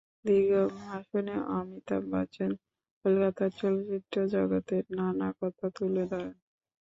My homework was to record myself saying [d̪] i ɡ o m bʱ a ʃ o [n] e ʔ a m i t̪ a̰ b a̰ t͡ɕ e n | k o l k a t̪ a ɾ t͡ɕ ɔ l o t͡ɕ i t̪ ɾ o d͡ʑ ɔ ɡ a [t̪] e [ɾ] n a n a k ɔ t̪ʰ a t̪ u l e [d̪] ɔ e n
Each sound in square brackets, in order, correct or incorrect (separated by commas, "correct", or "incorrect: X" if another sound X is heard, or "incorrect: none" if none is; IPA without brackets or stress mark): correct, correct, correct, correct, correct